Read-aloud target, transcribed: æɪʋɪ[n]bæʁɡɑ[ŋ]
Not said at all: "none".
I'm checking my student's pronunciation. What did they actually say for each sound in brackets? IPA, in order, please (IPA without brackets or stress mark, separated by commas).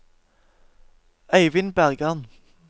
n, n